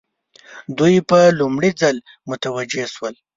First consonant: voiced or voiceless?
voiced